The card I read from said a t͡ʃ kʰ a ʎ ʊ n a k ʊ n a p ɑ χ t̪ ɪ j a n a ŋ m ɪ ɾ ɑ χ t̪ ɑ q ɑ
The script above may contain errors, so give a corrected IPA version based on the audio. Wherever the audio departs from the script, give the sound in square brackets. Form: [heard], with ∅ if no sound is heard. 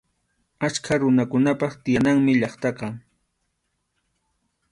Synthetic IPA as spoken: a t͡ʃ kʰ a [ɾ] ʊ n a k ʊ n a p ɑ χ t̪ ɪ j a n a ŋ m ɪ [ʎ] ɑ χ t̪ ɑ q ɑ

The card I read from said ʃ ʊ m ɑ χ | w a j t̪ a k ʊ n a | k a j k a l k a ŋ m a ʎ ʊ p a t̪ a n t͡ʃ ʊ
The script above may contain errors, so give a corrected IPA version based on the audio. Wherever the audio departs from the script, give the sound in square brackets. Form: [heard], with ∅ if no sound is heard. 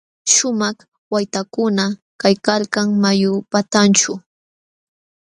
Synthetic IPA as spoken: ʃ ʊ m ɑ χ | w a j t̪ a k ʊ n a | k a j k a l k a ŋ m a [j] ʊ p a t̪ a n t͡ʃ ʊ

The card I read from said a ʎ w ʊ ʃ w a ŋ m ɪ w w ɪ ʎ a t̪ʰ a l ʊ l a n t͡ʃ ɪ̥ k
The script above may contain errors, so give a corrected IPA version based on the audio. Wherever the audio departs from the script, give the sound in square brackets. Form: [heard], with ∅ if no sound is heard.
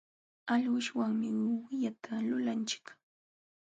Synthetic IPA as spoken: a ʎ w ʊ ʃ w a ŋ m ɪ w w ɪ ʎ a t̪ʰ a l ʊ l a n t͡ʃ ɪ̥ k

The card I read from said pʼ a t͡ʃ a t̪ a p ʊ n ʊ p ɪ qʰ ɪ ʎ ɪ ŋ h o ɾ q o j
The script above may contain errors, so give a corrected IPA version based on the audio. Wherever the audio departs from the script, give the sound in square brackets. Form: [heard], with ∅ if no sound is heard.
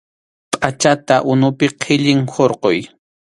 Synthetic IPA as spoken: pʼ a t͡ʃ a t̪ a [ʔ] ʊ n ʊ p ɪ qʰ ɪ ʎ ɪ ŋ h o ɾ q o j

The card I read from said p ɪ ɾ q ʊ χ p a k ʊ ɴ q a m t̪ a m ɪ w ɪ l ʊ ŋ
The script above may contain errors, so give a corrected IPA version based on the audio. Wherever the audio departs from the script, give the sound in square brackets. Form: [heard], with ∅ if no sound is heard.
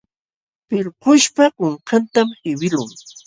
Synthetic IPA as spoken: p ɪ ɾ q ʊ [ʃ] p a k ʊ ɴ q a [n] t̪ a m ɪ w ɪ l ʊ ŋ

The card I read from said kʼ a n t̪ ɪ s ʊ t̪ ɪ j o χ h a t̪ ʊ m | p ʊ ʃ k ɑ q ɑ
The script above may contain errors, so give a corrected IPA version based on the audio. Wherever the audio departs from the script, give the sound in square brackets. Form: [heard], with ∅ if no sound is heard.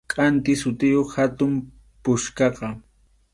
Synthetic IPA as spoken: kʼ a n t̪ ɪ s ʊ t̪ ɪ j o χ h a t̪ ʊ m | p ʊ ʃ k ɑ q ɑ

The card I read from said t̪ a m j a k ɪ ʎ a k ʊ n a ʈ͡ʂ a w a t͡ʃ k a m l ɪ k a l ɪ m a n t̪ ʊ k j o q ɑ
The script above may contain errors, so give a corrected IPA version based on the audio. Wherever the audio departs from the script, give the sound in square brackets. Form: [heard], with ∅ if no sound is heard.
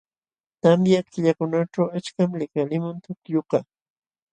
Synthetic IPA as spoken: t̪ a m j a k ɪ ʎ a k ʊ n a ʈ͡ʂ a w a t͡ʃ k a m l ɪ k a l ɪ m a n t̪ ʊ k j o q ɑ

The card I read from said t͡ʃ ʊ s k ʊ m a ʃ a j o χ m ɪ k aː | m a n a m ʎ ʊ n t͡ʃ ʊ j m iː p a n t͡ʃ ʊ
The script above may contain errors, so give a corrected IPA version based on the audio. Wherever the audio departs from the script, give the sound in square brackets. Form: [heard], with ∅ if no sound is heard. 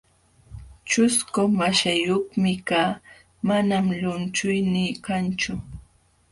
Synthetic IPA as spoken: t͡ʃ ʊ s k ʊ m a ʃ a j o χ m ɪ k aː | m a n a m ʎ ʊ n t͡ʃ ʊ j [n] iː [k] a n t͡ʃ ʊ

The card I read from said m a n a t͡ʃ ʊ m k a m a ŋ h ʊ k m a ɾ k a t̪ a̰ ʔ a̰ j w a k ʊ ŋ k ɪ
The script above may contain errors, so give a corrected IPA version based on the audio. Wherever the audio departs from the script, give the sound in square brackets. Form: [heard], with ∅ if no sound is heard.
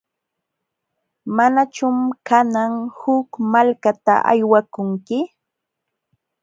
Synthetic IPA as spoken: m a n a t͡ʃ ʊ m k a [n] a ŋ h ʊ k m a [l] k a t̪ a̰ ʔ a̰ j w a k ʊ ŋ k ɪ

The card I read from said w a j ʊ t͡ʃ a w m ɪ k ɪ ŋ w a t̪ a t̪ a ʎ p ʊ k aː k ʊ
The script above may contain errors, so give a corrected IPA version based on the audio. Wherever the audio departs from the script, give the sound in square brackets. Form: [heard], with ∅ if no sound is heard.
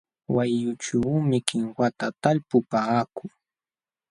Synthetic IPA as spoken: w a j ʊ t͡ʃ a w m ɪ k ɪ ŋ w a t̪ a t̪ a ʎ p ʊ [p] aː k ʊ

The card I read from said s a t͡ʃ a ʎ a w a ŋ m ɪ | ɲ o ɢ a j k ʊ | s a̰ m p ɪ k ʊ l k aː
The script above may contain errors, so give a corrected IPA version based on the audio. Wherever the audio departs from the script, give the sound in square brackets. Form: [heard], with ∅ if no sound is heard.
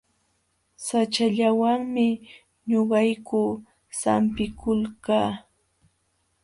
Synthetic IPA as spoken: s a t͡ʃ a ʎ a w a ŋ m ɪ | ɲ o ɢ [ɑ] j k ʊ | s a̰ m p ɪ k ʊ l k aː

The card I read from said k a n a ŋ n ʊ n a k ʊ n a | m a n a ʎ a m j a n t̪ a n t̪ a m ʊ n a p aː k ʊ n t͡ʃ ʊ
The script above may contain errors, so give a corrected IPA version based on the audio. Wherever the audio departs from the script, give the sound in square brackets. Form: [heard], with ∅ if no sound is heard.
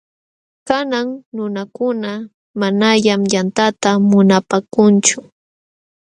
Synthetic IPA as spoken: k a n a ŋ n ʊ n a k ʊ n a | m a n a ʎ a m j a n t̪ a [∅] t̪ a m ʊ n a p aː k ʊ n t͡ʃ ʊ

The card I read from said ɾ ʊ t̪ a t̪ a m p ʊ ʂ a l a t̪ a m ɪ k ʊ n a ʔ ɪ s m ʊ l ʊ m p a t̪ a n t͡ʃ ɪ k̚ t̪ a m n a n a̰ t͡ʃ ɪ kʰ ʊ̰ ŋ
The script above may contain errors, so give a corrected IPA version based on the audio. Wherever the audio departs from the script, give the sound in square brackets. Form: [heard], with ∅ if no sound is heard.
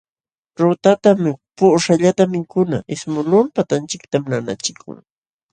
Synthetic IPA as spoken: ɾ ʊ t̪ a t̪ a m p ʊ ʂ a [ʎ] a t̪ a m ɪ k ʊ n a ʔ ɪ s m ʊ l ʊ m p a t̪ a n t͡ʃ ɪ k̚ t̪ a m n a n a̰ t͡ʃ ɪ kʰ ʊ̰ ŋ

